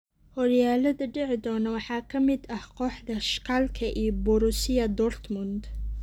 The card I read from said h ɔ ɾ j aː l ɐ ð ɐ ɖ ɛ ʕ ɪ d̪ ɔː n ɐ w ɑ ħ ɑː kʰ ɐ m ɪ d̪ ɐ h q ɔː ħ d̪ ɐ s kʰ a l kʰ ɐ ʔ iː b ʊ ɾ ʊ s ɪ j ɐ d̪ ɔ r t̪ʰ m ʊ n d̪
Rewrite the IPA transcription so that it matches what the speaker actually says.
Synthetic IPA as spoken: h ɔ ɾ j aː l ɐ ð ɐ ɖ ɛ ʕ ɪ d̪ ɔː n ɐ w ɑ ħ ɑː kʰ ɐ m ɪ d̪ ɐ h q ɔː ħ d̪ ɐ ʃ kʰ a l kʰ ɐ ʔ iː b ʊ ɾ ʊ s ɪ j ɐ d̪ ɔ r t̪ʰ m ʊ n d̪